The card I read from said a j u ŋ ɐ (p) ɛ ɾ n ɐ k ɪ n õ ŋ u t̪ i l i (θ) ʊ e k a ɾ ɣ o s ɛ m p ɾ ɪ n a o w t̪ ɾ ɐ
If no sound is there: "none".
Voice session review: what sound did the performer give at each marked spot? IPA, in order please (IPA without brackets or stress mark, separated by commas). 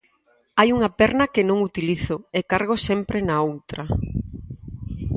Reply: p, θ